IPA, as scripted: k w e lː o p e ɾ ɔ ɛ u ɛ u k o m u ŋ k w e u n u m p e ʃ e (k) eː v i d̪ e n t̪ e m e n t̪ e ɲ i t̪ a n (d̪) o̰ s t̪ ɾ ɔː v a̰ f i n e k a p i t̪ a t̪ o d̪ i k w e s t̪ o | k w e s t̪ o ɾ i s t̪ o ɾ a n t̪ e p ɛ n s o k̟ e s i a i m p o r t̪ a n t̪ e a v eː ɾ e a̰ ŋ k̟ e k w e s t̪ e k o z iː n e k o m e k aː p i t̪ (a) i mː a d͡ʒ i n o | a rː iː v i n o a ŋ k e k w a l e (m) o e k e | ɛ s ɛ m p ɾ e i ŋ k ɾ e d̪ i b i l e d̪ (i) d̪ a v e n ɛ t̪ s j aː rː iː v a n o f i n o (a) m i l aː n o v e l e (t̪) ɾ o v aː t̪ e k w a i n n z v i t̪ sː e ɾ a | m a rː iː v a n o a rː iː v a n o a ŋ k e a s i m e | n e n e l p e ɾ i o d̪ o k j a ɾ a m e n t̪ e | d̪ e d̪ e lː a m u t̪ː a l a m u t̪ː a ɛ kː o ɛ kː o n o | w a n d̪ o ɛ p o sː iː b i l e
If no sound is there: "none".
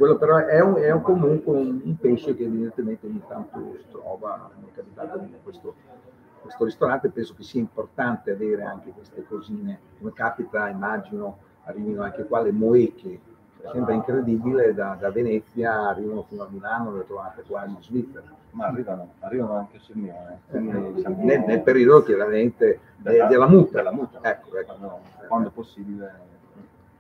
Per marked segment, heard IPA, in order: k, t̪, a, m, a, a, t̪

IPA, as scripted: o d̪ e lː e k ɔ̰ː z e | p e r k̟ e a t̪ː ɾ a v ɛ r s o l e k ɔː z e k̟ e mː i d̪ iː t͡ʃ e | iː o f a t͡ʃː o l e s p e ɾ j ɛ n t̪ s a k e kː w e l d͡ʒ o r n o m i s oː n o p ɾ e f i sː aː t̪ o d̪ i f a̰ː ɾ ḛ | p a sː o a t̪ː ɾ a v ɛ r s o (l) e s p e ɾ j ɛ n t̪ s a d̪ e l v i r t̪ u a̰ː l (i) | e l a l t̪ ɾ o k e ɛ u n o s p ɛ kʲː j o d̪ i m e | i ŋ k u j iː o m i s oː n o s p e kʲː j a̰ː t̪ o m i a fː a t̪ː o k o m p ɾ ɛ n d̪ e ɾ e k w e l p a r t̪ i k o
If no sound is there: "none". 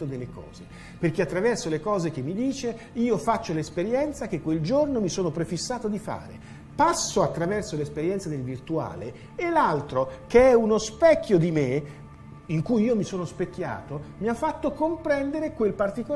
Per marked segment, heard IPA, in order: l, e

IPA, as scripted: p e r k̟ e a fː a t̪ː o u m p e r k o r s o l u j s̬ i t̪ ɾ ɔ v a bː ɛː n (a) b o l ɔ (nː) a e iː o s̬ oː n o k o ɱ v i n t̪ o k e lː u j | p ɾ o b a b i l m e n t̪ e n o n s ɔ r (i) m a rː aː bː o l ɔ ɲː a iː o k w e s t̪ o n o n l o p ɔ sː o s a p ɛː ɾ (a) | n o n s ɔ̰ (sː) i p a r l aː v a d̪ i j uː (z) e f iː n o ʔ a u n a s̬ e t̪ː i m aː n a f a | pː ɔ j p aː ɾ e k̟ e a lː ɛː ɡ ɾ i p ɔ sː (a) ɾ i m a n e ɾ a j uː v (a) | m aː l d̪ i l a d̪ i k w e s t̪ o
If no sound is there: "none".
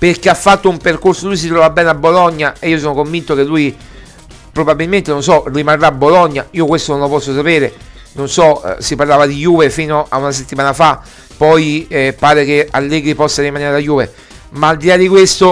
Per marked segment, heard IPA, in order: a, ɲː, i, e, s, v, a, e

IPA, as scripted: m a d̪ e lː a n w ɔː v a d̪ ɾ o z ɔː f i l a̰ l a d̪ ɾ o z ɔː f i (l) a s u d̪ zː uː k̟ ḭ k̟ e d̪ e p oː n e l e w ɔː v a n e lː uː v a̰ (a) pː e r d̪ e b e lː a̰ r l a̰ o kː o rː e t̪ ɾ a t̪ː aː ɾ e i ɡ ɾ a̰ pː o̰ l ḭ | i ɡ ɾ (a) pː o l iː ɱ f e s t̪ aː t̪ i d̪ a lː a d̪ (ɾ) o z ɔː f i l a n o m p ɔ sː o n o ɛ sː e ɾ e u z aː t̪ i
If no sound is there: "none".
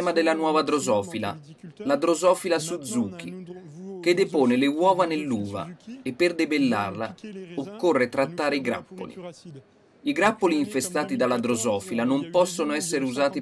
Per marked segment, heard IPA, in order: l, e, a, ɾ

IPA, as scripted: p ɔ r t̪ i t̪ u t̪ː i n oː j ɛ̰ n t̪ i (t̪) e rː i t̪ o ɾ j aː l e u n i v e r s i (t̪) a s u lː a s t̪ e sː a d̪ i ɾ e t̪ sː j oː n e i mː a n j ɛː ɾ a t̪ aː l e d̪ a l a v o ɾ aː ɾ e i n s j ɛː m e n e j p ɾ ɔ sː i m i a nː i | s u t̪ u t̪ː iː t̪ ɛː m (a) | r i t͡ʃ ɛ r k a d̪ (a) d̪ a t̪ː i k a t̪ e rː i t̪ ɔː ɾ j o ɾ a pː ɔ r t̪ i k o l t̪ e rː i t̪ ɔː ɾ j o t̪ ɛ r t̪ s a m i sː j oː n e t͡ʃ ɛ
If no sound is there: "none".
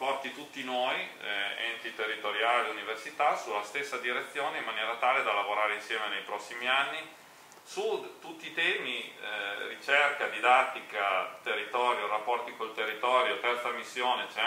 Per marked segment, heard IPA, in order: t̪, t̪, i, i

